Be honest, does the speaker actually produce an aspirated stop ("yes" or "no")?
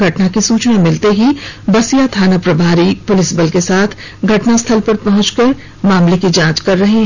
yes